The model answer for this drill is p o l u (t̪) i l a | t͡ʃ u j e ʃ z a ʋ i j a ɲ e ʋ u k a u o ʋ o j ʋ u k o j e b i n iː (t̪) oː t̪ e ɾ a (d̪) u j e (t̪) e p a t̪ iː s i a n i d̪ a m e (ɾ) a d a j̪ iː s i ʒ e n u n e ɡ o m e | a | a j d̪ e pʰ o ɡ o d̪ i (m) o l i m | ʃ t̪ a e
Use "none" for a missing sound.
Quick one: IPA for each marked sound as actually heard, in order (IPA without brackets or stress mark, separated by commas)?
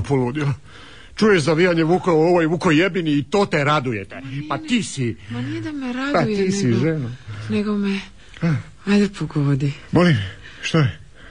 d̪, t̪, d̪, t̪, ɾ, m